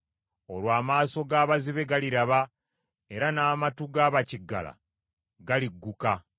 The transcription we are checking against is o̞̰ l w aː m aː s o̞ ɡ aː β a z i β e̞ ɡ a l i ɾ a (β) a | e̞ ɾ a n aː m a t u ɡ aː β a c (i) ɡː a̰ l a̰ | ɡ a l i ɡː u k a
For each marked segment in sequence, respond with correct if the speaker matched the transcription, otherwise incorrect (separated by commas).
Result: correct, correct